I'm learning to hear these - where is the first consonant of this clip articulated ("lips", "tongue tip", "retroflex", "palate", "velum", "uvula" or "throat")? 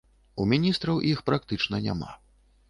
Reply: lips